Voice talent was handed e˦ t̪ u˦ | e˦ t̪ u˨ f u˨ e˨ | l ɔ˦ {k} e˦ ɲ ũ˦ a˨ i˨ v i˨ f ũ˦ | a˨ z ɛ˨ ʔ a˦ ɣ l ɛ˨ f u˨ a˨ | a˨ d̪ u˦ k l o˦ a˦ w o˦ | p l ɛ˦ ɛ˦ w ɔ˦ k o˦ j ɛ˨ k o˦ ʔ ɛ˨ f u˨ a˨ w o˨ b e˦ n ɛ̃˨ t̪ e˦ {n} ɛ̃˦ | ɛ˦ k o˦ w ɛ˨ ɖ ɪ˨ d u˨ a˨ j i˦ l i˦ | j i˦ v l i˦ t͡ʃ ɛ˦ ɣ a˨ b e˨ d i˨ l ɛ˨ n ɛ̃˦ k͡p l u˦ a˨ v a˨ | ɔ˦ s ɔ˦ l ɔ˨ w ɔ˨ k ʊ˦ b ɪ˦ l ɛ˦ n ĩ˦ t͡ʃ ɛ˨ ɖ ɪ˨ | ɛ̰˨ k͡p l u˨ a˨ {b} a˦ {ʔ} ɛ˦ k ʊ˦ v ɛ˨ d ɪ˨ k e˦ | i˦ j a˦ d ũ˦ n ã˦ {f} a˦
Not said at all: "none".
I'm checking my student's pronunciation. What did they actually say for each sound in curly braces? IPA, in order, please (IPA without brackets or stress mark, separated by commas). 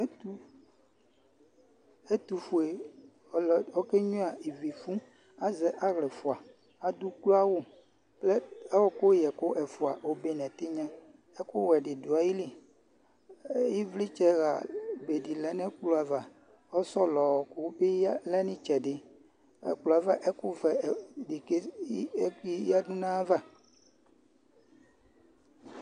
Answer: k, ɲ, v, ʔ, v